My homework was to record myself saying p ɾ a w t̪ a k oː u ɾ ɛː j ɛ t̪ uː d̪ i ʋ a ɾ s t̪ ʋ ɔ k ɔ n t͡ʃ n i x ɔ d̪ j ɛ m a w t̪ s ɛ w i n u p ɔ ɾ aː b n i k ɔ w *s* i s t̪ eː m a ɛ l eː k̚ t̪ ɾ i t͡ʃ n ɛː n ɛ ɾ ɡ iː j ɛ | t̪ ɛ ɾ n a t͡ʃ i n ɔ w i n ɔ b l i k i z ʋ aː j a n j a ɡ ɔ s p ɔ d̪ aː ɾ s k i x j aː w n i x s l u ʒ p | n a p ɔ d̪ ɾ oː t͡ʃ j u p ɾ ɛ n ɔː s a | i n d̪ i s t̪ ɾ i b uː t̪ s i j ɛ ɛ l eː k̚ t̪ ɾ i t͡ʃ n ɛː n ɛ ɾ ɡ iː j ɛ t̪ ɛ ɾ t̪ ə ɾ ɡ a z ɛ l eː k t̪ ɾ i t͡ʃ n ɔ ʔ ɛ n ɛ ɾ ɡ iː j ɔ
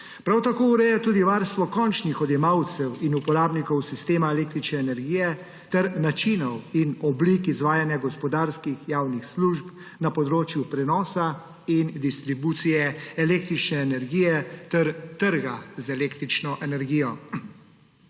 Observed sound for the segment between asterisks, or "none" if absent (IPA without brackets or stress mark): s